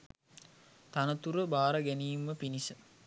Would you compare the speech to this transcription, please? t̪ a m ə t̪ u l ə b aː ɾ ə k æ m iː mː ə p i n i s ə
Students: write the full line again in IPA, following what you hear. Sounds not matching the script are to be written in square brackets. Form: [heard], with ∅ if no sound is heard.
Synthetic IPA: t̪ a [n] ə t̪ u [ɾ] ə b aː ɾ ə [ɡ] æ [n] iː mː ə p i n i s ə